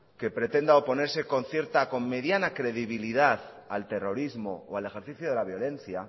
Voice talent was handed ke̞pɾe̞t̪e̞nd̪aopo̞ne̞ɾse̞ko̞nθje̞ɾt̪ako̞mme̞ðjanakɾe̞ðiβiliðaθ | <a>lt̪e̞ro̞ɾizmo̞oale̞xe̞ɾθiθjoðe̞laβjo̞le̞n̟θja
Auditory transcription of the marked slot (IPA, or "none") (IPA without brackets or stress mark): a